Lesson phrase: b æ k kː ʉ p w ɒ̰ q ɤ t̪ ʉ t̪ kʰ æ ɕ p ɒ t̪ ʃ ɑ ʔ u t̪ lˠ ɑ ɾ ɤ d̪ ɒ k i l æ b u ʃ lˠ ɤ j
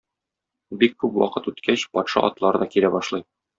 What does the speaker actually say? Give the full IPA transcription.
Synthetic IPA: b i k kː ʉ p w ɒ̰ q ɤ t̪ ʉ t̪ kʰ æ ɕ p ɒ t̪ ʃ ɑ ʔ ɒ t̪ lˠ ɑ ɾ ɤ d̪ ɒ k i l æ b ɒ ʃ lˠ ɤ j